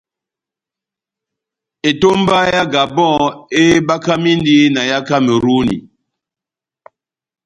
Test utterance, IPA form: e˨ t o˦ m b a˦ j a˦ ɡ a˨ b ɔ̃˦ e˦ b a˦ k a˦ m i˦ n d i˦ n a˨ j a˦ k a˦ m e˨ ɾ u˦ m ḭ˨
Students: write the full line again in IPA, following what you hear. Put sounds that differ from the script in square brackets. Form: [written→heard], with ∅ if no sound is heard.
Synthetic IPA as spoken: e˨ t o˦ m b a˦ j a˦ ɡ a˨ b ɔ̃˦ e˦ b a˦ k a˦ m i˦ n d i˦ n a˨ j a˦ k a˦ m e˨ ɾ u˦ [m→n] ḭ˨